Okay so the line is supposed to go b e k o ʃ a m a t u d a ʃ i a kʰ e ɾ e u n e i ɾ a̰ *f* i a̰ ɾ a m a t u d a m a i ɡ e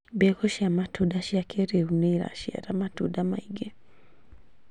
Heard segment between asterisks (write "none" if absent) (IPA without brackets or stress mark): ʃ